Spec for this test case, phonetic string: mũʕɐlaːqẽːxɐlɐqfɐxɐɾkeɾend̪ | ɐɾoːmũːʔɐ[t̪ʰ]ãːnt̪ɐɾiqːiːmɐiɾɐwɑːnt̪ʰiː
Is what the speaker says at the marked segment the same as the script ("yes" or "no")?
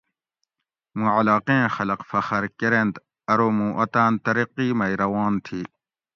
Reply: no